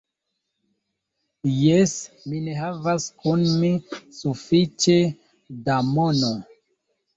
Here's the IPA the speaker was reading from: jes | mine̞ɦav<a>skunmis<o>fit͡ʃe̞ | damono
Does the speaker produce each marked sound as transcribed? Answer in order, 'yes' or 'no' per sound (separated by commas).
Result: yes, no